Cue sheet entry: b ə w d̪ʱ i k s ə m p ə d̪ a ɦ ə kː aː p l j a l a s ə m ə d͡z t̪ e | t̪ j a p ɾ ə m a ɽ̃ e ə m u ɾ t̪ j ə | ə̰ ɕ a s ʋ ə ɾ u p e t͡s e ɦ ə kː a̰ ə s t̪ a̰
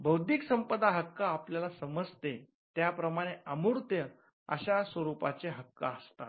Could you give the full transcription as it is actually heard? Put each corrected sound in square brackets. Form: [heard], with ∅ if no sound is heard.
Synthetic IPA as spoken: b ə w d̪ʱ i k s ə m p ə d̪ a ɦ ə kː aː p l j a l a s ə m ə d͡z t̪ e | t̪ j a p ɾ ə m a ɽ̃ e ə m u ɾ t̪ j ə | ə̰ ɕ a s ʋ ə ɾ u p [a] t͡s e ɦ ə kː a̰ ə s t̪ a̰